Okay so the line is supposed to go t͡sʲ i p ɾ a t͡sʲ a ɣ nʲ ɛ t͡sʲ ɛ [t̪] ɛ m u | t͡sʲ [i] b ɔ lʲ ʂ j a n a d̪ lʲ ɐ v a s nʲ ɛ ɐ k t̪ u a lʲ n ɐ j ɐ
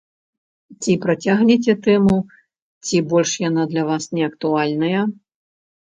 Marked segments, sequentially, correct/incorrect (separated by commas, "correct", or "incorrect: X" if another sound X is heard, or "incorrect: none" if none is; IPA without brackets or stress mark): correct, correct